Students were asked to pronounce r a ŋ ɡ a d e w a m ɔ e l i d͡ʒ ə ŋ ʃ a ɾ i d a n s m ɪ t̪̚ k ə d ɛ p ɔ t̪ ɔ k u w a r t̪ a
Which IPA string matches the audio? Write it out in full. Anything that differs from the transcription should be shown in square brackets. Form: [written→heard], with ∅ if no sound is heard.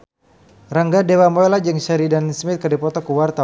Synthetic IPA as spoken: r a ŋ ɡ a d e w a m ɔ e l [i→a] d͡ʒ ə ŋ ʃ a ɾ i d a n s m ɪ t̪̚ k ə d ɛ p ɔ t̪ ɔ k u w a r t̪ a